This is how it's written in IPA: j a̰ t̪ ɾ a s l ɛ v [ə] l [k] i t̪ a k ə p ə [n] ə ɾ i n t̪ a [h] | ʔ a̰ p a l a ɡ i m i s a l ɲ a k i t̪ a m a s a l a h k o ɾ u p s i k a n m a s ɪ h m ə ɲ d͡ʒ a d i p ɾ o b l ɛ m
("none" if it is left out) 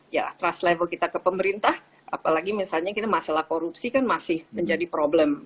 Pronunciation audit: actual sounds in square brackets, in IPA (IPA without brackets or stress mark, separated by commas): ə, k, m, h